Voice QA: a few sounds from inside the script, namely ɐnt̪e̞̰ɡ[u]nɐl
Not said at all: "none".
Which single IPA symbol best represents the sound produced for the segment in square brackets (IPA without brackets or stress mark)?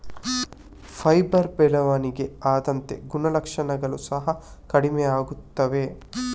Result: u